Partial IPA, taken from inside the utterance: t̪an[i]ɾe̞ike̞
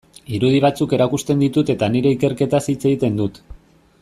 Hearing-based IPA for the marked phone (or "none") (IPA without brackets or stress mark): i